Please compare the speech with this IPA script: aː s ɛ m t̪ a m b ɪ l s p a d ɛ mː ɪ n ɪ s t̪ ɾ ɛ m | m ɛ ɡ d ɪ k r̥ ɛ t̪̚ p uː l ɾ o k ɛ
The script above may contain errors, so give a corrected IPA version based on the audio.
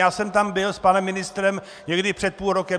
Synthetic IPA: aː s ɛ m t̪ a m b ɪ l s p a n ɛ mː ɪ n ɪ s t̪ ɾ ɛ m | ɲ ɛ ɡ d ɪ p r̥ ɛ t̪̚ p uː l ɾ o k ɛ